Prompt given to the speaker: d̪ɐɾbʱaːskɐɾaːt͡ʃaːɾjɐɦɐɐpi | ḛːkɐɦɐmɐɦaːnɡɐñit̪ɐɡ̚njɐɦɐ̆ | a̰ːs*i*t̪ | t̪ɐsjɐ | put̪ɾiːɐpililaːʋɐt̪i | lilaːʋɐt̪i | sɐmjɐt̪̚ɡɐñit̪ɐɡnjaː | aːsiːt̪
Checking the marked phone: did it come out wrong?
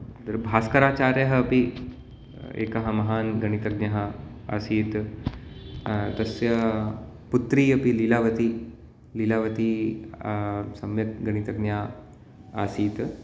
yes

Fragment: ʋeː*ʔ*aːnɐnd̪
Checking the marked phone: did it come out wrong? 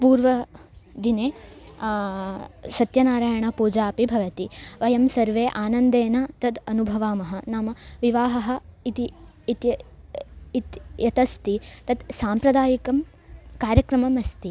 no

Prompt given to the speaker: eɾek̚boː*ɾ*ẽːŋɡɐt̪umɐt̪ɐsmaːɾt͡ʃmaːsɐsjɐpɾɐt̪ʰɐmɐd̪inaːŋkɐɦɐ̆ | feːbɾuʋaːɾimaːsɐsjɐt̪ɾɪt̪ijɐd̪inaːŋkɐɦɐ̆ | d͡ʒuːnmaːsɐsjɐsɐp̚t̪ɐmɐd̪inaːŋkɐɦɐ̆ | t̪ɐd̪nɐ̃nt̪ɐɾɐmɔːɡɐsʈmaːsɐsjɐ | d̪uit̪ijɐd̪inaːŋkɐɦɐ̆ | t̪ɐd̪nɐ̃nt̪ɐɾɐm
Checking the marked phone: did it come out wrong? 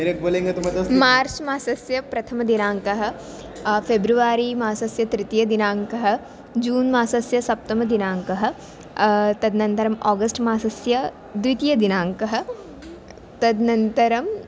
yes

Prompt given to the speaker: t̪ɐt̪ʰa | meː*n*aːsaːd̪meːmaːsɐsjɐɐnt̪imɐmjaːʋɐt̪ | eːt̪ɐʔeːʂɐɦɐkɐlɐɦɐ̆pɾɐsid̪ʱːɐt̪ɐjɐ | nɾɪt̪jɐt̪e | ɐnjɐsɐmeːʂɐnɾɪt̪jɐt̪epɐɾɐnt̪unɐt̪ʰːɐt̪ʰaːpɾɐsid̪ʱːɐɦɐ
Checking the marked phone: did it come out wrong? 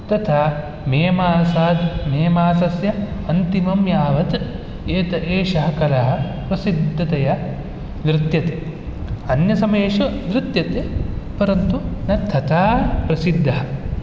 yes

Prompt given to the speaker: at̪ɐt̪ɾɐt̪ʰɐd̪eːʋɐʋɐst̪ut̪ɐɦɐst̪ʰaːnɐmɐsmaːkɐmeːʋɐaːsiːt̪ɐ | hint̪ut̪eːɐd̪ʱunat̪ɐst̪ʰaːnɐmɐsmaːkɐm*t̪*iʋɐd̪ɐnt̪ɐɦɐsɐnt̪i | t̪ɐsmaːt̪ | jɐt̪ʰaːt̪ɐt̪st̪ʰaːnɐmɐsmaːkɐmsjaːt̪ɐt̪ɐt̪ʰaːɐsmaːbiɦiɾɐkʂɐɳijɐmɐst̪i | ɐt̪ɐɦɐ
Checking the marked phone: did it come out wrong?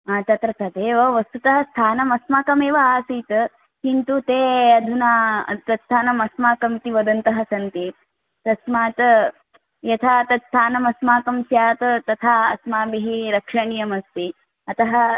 no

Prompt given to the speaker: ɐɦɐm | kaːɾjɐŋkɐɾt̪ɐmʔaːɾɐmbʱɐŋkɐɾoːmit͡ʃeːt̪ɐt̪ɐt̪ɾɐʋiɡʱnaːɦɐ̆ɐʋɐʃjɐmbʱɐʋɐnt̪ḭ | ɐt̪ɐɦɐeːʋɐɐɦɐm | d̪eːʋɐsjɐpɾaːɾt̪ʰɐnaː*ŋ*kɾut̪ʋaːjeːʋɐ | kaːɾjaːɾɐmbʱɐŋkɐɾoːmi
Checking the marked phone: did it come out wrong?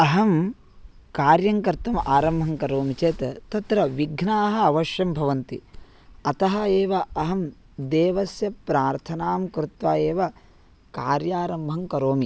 yes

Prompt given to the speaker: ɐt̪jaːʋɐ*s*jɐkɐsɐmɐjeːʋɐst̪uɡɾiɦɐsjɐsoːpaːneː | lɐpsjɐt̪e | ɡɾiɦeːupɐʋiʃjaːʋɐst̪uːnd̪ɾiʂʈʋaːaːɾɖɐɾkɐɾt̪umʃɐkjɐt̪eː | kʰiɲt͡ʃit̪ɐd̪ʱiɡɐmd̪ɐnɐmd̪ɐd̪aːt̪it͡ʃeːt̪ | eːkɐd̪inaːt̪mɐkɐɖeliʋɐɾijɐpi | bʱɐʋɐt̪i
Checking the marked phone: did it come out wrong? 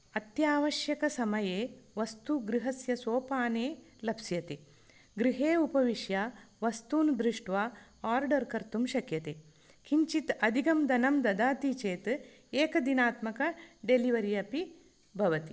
yes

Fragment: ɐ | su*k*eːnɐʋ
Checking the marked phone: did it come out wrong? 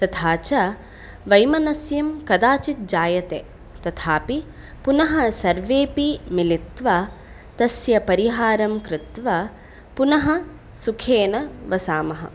yes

